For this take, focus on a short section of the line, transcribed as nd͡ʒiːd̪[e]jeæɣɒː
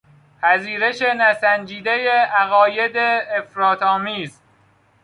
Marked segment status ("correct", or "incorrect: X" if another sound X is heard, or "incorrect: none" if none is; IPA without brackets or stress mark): correct